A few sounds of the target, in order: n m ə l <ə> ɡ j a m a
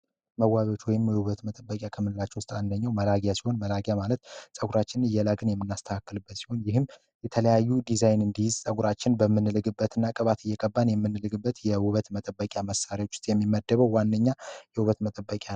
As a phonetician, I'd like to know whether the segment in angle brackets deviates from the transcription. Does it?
yes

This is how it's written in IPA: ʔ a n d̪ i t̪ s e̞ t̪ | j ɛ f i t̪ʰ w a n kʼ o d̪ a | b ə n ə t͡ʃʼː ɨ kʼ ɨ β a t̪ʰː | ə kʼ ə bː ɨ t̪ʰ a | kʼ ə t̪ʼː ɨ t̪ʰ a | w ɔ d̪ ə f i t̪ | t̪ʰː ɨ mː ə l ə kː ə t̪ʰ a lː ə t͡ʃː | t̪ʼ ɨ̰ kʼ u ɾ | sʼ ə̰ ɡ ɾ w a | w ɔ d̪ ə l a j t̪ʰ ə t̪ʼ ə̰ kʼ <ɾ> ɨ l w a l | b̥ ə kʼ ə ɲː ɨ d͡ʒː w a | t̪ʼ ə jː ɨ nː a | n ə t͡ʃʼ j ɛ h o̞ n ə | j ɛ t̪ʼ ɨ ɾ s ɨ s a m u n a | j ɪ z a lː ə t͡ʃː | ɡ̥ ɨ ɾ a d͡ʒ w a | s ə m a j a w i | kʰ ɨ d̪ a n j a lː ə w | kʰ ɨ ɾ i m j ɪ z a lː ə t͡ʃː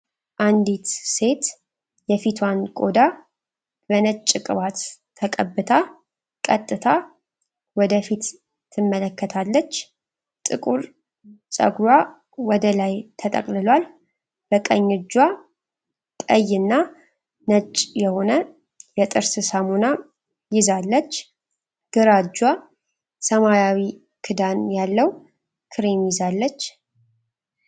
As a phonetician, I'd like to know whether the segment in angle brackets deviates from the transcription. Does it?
yes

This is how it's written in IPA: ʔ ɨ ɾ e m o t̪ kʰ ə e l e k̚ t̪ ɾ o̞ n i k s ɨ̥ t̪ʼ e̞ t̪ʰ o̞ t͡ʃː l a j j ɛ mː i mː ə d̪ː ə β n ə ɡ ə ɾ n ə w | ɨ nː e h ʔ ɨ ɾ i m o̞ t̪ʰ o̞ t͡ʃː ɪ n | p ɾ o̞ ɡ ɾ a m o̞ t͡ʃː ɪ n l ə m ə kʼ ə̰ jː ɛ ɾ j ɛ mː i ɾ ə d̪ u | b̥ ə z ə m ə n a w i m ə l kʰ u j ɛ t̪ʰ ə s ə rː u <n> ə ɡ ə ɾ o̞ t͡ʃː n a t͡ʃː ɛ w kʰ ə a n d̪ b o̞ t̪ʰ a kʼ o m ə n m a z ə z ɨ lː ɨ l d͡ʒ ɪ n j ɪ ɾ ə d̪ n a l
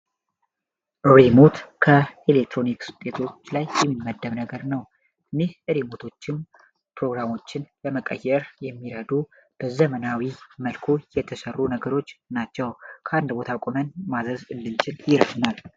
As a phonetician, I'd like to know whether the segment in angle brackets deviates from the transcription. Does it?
no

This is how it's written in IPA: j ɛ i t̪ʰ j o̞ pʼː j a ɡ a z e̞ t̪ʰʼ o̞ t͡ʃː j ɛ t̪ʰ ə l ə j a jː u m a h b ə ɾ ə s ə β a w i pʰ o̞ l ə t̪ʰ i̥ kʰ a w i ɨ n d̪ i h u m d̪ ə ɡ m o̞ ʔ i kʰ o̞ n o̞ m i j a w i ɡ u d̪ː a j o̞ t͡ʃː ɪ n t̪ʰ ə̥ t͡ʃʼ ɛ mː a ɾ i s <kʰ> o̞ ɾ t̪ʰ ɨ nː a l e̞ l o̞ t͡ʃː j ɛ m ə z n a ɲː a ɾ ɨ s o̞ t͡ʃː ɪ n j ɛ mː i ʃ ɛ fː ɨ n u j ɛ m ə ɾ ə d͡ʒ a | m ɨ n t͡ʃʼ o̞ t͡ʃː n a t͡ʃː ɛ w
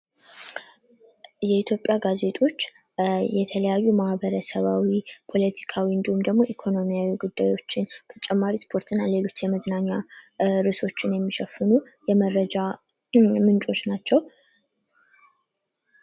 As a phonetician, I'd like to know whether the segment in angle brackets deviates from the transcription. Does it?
yes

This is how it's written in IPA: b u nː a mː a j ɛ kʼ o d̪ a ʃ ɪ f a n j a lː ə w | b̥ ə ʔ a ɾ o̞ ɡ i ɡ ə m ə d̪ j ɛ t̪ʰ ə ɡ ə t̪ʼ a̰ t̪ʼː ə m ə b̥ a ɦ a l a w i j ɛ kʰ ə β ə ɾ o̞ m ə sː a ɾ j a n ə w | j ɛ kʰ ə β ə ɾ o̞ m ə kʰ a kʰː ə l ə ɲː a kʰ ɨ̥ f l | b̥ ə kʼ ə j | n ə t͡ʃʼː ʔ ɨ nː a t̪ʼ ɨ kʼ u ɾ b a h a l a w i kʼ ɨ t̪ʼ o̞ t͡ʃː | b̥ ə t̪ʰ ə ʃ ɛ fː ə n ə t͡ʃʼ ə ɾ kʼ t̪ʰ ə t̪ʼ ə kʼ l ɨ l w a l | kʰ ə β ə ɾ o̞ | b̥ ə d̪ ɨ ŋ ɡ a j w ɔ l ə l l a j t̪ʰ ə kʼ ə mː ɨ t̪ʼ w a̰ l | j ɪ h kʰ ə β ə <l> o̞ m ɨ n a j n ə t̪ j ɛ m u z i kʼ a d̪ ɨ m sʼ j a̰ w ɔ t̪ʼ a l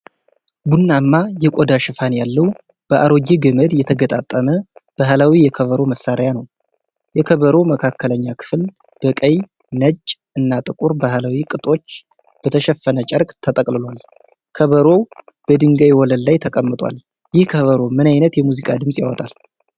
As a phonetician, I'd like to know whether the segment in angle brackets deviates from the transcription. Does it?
yes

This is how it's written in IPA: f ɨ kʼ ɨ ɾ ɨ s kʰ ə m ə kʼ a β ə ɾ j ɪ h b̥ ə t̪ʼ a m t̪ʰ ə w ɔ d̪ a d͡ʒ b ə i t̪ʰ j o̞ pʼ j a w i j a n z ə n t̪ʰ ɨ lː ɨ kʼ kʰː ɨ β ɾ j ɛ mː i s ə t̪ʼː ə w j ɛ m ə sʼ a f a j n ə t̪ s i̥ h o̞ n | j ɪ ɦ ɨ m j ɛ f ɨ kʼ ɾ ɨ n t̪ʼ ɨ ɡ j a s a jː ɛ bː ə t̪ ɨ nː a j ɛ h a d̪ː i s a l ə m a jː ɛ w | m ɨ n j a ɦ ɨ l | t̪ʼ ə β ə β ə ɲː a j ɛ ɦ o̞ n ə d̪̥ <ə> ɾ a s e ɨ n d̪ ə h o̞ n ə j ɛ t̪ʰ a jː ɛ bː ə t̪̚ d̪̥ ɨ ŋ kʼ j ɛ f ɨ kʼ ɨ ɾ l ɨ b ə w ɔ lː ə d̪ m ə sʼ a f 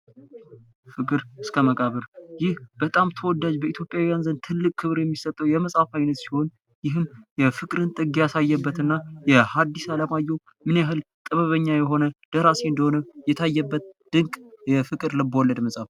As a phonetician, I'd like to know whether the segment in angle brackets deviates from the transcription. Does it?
no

